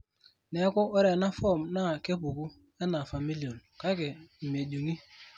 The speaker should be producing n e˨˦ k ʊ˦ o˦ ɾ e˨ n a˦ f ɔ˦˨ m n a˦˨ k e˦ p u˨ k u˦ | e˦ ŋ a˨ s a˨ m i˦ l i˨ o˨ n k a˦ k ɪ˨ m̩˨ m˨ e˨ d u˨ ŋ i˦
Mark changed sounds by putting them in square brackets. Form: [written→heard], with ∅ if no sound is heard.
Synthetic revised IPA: n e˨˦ k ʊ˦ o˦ ɾ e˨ n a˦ f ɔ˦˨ m n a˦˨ k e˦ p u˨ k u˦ | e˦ [ŋ→n] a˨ [s→f] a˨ m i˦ l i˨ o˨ n k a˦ k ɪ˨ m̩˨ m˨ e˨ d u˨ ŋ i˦

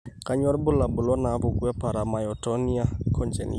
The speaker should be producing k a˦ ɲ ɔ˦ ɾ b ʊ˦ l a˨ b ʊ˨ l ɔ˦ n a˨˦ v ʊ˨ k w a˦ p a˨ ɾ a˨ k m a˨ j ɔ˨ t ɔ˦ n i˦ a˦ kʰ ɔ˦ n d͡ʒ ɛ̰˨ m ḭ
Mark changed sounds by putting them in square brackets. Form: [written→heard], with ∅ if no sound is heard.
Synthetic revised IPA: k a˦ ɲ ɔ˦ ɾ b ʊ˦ l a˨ b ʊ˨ l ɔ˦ n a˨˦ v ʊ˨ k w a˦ p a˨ ɾ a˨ [k→∅] m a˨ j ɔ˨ t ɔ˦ n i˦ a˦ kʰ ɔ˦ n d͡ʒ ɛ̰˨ [m→n] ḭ

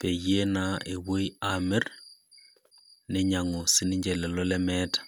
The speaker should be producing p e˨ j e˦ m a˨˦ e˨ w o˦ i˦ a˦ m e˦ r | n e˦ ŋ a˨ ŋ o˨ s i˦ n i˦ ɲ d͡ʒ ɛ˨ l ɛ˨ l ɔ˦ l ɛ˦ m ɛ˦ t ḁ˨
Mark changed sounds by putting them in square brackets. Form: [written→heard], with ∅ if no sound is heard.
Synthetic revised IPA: p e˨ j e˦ [m→n] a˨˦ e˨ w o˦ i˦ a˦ m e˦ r | n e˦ [ŋ→ɲ] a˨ ŋ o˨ s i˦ n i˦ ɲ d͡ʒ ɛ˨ l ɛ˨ l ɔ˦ l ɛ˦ m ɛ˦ t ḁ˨

